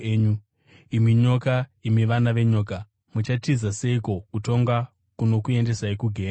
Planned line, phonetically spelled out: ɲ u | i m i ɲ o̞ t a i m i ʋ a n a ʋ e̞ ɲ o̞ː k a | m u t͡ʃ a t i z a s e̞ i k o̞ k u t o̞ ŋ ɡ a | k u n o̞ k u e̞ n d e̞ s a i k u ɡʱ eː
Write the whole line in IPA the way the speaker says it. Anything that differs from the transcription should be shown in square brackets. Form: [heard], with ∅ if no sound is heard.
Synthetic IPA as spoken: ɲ u | i m i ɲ o̞ [k] a i m i ʋ a n a ʋ e̞ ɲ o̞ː k a | m u t͡ʃ a t i z a s e̞ i k o̞ k u t o̞ ŋ ɡ a | k u n o̞ k u e̞ n d e̞ s a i k u ɡʱ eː